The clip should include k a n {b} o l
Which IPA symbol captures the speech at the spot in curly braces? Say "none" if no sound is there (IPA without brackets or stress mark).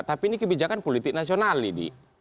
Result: p